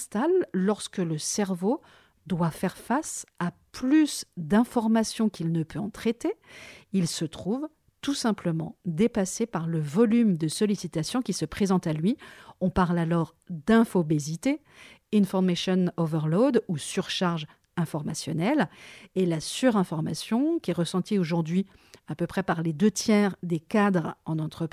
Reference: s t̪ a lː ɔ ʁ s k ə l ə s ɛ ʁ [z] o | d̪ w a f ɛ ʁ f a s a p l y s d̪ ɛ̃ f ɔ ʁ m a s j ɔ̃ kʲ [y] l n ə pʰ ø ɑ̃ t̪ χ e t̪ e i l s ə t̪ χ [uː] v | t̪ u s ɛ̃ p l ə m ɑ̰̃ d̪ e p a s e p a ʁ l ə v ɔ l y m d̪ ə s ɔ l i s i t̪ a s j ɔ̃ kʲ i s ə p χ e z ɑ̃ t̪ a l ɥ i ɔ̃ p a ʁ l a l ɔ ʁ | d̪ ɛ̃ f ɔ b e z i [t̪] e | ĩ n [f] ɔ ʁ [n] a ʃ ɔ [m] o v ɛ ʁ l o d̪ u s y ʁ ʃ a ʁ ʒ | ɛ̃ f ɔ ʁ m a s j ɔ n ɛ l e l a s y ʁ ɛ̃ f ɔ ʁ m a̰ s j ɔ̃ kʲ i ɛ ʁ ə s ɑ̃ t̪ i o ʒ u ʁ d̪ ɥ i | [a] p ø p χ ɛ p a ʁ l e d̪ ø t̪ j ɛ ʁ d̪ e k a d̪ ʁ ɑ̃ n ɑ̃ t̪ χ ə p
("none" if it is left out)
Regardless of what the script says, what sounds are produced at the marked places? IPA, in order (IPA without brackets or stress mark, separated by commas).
v, i, u, t̪, f, m, n, a